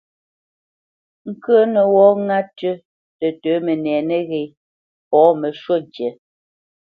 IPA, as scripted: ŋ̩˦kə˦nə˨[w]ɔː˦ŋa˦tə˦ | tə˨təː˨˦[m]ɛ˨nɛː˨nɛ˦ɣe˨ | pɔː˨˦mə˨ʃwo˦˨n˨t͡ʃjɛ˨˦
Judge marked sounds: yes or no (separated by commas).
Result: yes, yes